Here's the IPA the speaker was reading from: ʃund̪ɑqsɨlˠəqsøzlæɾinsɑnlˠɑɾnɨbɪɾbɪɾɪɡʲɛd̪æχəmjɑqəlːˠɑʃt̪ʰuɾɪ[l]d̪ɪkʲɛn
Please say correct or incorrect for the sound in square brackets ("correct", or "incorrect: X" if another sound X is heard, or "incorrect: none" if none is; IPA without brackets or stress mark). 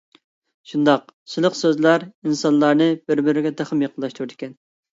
incorrect: none